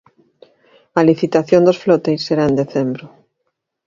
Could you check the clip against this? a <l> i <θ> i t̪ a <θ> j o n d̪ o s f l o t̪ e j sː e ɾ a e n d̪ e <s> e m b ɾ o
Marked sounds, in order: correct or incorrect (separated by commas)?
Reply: correct, correct, correct, incorrect